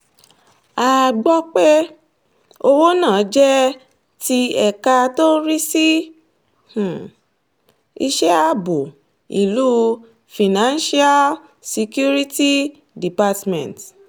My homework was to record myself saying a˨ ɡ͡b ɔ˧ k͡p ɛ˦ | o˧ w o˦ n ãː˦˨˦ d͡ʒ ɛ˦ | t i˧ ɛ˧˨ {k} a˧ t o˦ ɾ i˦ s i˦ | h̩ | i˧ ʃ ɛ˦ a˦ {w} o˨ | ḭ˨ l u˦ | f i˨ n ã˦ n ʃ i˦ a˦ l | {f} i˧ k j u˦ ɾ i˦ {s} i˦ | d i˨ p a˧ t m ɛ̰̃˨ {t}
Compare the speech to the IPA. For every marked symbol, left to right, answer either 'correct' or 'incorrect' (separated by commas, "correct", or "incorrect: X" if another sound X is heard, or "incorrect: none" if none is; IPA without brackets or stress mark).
correct, incorrect: b, incorrect: s, incorrect: t, correct